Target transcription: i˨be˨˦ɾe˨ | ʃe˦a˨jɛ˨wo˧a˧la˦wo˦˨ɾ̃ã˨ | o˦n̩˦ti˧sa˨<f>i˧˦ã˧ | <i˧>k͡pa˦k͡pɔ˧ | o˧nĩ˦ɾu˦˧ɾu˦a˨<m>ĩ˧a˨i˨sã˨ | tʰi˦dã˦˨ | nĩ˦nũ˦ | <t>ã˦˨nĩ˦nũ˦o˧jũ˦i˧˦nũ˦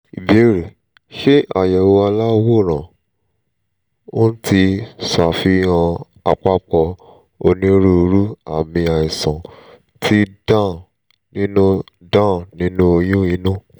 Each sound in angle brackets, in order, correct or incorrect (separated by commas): correct, incorrect, correct, incorrect